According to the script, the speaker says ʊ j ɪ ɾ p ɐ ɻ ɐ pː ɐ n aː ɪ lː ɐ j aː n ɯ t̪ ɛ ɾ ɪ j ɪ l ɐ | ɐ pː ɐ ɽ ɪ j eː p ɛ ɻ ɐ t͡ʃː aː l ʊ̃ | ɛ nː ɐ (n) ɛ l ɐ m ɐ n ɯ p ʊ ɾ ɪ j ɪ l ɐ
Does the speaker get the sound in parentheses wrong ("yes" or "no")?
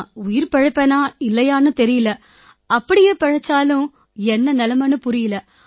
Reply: no